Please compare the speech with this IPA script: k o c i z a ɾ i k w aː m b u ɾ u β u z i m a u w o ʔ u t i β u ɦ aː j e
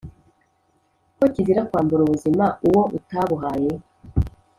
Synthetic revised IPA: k o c i z i ɾ a k w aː m b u ɾ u β u z i m a u w o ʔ u t a β u ɦ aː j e